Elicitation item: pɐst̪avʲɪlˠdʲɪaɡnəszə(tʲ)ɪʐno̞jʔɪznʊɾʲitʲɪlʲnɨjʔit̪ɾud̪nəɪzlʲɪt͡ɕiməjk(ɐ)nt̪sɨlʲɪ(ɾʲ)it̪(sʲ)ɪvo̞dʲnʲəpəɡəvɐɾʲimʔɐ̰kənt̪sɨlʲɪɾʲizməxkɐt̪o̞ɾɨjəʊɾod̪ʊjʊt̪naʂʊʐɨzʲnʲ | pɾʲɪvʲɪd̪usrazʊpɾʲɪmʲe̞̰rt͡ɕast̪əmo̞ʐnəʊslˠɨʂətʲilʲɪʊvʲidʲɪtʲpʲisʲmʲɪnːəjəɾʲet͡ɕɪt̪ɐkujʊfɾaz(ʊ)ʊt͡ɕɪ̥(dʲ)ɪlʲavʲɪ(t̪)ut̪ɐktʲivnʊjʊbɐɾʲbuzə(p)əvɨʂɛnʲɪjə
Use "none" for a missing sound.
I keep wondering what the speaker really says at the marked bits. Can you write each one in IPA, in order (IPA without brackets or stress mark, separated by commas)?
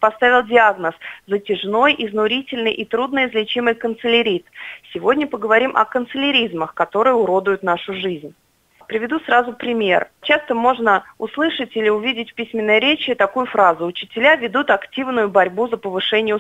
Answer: tʲ, ə, ɾʲ, sʲ, ʊ, tʲ, d̪, p